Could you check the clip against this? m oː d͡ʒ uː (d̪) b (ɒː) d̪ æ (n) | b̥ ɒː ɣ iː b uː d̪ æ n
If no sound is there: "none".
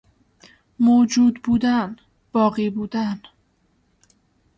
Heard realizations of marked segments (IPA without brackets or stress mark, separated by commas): d̪, uː, n